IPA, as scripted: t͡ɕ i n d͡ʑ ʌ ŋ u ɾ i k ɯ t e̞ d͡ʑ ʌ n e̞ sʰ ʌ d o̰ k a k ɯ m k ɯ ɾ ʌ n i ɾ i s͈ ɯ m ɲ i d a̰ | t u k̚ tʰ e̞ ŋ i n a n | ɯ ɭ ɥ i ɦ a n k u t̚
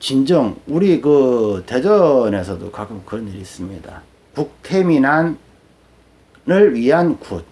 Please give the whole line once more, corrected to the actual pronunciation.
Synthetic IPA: t͡ɕ i n d͡ʑ ʌ ŋ u ɾ i k ɯ t e̞ d͡ʑ ʌ n e̞ sʰ ʌ d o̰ k a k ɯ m k ɯ ɾ ʌ n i ɾ i s͈ ɯ m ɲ i d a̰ | p u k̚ tʰ e̞ m i n a n | ɯ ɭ ɥ i ɦ a n k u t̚